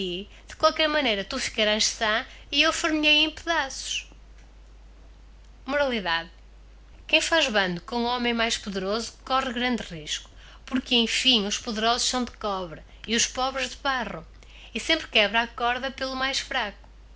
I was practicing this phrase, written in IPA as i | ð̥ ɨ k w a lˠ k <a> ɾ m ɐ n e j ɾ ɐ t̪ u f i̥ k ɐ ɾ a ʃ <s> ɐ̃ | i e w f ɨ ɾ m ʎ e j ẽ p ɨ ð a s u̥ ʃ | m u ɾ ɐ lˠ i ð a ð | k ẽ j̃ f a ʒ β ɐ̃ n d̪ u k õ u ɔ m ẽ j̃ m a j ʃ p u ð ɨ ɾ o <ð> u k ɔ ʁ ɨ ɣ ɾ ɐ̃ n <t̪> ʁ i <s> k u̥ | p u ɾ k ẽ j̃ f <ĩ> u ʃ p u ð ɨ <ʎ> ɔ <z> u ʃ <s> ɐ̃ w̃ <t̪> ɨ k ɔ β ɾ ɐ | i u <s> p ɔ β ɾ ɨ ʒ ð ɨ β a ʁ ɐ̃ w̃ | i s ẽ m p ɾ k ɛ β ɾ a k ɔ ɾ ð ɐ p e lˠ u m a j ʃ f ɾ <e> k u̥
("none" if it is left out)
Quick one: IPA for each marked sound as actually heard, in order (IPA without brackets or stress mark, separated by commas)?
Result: ɛ, s, z, d̪, ʃ, ĩ, ɾ, z, s, d̪, ʃ, a